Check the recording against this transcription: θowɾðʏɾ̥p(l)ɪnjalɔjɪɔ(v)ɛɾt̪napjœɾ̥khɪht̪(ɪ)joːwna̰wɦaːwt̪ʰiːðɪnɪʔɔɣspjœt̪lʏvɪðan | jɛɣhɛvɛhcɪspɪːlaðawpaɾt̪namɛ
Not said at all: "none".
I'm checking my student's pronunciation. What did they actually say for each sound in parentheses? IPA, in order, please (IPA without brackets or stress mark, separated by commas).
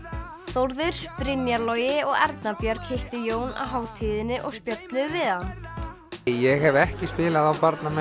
ɾ, ɣ, ɪ